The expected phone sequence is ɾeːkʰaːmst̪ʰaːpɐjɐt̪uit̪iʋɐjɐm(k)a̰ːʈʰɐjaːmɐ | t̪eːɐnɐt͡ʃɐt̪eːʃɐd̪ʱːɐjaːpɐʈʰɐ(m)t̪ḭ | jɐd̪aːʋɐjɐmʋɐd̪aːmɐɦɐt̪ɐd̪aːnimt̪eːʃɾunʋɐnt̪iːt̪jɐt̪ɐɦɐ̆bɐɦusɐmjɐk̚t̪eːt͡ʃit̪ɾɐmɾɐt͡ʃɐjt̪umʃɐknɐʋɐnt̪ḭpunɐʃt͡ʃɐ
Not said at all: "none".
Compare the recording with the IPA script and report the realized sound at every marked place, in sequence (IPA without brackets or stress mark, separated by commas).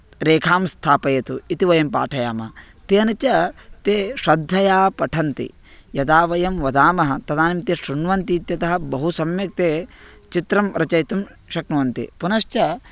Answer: p, n